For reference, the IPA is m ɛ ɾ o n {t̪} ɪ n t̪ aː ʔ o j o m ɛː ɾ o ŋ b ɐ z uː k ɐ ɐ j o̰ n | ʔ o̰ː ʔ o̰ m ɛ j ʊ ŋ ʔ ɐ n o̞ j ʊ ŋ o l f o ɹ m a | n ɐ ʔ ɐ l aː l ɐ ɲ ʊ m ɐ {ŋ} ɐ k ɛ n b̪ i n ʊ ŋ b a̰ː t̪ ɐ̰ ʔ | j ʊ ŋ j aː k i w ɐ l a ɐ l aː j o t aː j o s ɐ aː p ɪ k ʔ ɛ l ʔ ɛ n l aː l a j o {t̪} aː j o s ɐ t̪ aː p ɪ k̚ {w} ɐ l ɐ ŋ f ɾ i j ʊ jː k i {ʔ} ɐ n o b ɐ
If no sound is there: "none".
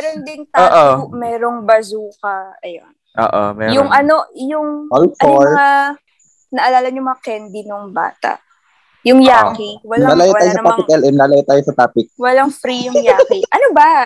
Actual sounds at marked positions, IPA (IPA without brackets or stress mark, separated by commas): d̪, ŋ, t̪, w, ʔ